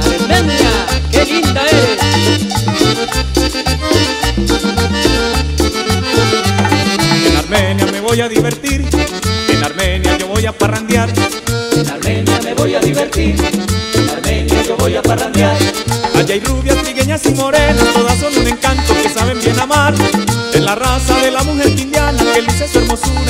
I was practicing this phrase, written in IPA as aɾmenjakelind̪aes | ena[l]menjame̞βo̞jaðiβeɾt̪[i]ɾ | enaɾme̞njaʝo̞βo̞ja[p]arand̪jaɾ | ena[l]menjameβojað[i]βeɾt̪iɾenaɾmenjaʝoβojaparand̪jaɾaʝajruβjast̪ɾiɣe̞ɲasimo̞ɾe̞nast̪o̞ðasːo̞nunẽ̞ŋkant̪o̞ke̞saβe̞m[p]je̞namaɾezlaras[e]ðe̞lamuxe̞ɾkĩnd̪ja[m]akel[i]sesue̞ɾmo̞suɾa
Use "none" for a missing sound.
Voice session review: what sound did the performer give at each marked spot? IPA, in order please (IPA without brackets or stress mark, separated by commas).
ɾ, i, p, ɾ, i, b, a, n, i